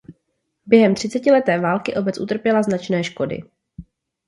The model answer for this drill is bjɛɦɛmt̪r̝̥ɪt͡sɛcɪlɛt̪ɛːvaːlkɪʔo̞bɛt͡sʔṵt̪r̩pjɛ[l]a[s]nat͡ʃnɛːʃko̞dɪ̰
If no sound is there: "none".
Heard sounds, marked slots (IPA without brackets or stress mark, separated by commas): l, z